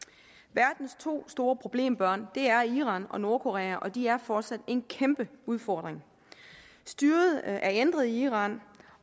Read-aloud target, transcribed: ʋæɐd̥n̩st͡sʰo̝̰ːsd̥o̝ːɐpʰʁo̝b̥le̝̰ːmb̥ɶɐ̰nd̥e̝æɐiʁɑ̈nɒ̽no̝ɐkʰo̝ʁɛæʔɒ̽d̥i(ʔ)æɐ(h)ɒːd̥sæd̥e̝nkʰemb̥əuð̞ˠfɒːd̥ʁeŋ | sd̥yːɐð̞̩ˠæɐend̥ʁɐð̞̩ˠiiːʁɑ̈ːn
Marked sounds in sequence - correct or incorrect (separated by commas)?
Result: incorrect, incorrect